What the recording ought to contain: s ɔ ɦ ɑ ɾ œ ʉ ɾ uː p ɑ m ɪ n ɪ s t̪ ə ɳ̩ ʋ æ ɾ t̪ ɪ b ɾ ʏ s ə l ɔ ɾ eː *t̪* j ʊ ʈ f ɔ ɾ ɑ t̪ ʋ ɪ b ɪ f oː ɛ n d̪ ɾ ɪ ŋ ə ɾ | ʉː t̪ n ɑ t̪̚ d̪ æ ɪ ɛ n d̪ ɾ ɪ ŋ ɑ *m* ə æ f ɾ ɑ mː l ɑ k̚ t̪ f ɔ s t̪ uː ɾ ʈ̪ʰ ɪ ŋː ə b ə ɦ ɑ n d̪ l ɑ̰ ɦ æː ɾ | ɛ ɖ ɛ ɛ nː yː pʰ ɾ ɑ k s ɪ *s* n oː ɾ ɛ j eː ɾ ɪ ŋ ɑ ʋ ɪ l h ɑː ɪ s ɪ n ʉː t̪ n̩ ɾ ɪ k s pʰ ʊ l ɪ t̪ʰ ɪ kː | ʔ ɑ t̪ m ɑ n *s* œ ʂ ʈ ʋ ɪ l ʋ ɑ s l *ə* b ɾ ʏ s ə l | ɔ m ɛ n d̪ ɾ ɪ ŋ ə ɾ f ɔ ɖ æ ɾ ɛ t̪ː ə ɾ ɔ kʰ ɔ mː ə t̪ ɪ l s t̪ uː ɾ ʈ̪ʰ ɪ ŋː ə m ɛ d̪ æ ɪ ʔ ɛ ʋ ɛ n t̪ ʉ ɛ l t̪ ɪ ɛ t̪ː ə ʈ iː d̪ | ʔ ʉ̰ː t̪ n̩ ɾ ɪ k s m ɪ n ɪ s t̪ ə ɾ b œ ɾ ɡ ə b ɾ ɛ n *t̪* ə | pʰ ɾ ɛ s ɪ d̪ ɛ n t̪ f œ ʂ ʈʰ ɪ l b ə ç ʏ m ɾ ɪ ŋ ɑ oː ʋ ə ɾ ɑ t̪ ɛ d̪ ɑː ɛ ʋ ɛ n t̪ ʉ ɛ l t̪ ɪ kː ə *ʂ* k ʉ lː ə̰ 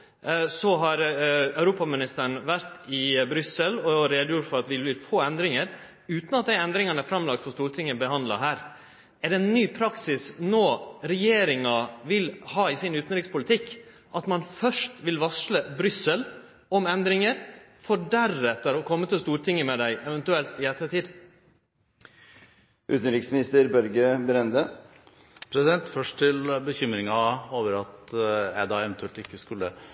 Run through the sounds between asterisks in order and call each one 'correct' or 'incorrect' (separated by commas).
incorrect, incorrect, correct, incorrect, correct, incorrect, incorrect